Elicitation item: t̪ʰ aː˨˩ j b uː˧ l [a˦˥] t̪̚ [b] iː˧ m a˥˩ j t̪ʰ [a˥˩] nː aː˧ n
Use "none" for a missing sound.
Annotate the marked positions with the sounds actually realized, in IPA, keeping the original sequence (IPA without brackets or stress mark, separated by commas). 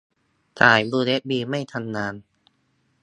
e˦˥, b, a˧